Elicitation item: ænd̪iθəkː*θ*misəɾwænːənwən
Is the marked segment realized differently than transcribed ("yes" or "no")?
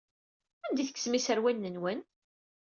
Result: yes